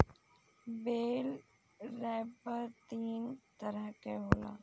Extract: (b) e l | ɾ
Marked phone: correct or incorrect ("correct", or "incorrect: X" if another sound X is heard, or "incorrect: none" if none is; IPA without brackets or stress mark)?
correct